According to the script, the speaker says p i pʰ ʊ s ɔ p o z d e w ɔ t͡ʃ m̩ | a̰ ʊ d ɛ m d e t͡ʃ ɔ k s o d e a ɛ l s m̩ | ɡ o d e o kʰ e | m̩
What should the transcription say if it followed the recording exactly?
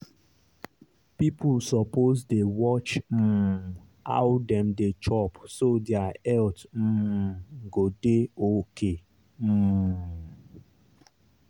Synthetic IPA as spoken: p i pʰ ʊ s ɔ p o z d e w ɔ t͡ʃ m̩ | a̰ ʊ d ɛ m d e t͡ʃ ɔ p s o d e a ɛ l t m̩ | ɡ o d e o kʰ e | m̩